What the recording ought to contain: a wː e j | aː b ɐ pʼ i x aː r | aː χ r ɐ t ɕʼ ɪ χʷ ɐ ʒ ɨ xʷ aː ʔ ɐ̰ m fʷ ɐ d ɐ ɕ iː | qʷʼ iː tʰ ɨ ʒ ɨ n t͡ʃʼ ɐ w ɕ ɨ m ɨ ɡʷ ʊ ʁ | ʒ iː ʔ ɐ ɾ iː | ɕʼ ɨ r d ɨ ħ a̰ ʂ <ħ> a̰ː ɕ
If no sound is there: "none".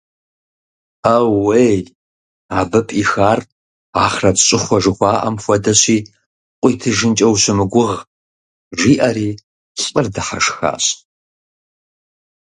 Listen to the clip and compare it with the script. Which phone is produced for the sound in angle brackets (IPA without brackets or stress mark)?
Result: x